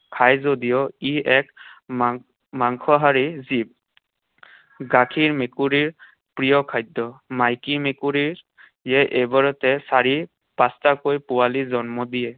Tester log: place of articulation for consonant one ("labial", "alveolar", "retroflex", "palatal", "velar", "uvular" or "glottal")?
velar